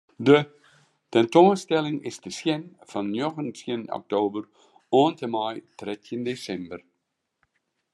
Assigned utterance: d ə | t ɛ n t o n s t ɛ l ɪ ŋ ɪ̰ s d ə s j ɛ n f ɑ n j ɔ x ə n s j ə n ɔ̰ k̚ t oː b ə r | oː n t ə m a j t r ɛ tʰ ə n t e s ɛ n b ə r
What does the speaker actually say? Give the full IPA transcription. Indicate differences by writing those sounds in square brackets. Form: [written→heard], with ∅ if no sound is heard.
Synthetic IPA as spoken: d ə | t ɛ n t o n s t ɛ l ɪ ŋ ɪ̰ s d ə s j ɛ n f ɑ n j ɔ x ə n s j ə n ɔ̰ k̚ t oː b ə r | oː n t ə m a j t r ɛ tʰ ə n [t→d] e s ɛ [n→m] b ə r